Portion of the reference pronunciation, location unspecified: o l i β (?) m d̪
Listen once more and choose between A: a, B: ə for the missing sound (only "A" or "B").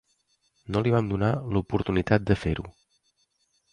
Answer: A